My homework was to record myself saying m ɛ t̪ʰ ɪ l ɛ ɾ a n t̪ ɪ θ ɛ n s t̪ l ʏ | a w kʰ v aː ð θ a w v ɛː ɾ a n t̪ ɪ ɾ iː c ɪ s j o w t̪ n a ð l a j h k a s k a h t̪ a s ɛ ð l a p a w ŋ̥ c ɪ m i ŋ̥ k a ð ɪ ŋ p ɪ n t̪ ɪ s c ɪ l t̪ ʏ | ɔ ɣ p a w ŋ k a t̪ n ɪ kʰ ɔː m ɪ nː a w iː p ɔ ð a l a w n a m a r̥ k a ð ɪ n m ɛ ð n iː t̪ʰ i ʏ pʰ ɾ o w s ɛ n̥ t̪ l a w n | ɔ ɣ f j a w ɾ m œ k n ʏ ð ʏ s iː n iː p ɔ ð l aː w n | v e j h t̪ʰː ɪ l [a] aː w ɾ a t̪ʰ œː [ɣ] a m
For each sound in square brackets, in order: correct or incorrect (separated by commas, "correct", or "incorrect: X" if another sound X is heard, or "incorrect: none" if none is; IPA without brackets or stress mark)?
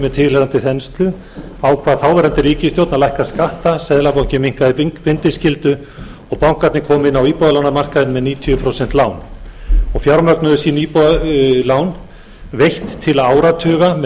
correct, correct